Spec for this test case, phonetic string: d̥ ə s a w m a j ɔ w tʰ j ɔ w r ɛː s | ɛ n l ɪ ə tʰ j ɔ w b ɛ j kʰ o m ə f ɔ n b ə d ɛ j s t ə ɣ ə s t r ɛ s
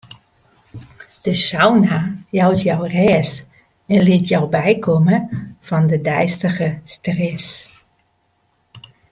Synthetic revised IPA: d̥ ə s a w n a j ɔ w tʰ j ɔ w r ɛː s | ɛ n l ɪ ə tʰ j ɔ w b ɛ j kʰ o m ə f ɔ n d ə d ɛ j s t ə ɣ ə s t r ɛ s